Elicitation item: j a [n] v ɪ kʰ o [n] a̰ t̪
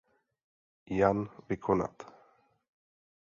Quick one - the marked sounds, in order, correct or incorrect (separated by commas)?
correct, correct